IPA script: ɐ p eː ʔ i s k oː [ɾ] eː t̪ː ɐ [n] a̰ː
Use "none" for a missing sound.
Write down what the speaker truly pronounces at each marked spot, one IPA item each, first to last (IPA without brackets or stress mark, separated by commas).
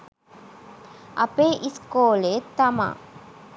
l, m